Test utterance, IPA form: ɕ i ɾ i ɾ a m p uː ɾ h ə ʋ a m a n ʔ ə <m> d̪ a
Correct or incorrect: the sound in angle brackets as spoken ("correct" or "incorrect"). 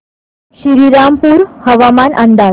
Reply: incorrect